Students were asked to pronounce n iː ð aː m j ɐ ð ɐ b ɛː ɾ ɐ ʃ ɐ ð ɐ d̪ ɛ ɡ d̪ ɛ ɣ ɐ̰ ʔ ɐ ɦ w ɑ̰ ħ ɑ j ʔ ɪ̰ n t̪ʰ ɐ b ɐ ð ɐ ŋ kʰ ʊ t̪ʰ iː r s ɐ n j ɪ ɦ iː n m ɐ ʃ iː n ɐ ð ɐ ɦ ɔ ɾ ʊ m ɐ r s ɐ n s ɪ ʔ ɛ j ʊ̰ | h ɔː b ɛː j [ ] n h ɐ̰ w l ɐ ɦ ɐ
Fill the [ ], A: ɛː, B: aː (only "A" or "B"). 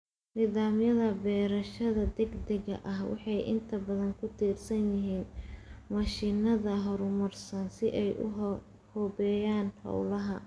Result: B